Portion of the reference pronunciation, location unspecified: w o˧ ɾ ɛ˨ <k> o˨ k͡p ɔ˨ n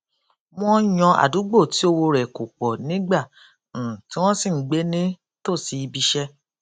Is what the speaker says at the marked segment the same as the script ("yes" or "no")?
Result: yes